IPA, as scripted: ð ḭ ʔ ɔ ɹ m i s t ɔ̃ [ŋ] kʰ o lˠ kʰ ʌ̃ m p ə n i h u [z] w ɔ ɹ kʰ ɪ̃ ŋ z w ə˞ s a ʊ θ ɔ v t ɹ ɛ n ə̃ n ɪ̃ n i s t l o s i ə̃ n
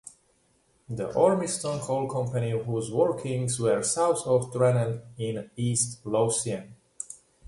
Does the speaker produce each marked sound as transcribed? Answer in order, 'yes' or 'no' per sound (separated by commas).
no, yes